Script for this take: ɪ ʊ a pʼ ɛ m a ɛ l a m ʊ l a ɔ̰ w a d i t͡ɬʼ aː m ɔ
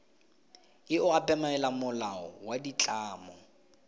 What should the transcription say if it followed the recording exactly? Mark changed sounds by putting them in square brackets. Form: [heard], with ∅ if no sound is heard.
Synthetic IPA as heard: ɪ ʊ a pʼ ɛ m a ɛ l a m ʊ l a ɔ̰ w a d i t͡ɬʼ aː m ɔ